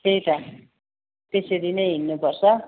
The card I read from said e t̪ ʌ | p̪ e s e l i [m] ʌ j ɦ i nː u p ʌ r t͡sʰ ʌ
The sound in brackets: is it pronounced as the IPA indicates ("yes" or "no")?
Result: no